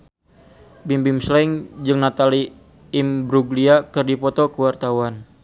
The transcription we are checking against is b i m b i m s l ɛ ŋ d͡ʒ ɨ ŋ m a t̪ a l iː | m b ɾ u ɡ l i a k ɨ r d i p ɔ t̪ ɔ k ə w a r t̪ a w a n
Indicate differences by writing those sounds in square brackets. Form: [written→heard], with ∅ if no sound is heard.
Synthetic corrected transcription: b i m b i m s l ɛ ŋ d͡ʒ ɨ ŋ [m→n] a t̪ a l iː | m b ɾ u ɡ l i a k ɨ r d i p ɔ t̪ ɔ k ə w a r t̪ a w a n